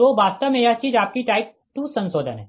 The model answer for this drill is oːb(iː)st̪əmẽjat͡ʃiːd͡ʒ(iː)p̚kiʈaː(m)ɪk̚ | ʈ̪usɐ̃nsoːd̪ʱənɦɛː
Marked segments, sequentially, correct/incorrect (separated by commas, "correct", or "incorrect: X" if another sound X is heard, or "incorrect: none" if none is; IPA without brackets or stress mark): incorrect: aː, incorrect: aː, incorrect: none